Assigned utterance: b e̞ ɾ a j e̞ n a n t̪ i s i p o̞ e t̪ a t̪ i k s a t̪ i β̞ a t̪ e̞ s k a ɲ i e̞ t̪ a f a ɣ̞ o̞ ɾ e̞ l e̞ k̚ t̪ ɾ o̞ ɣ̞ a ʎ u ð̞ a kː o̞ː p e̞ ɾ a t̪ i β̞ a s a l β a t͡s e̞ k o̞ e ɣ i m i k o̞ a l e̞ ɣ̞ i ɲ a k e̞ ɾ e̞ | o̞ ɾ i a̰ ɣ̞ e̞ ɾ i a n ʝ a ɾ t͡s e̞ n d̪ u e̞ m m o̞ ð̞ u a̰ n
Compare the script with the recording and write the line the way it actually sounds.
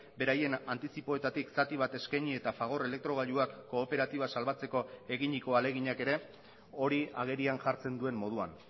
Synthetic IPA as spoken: b e̞ ɾ a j e̞ n a n t̪ i s i p o̞ e t̪ a t̪ i k s a t̪ i β̞ a t̪ e̞ s k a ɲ i e̞ t̪ a f a ɣ̞ o̞ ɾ e̞ l e̞ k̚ t̪ ɾ o̞ ɣ̞ a ʎ u a kː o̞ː p e̞ ɾ a t̪ i β̞ a s a l β a t͡s e̞ k o̞ e ɣ i ɲ i k o̞ a l e̞ ɣ̞ i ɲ a k e̞ ɾ e̞ | o̞ ɾ i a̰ ɣ̞ e̞ ɾ i a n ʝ a ɾ t͡s e̞ n d̪ u e̞ m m o̞ ð̞ u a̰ n